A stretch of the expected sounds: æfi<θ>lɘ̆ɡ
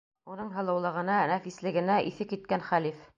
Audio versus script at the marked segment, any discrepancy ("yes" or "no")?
yes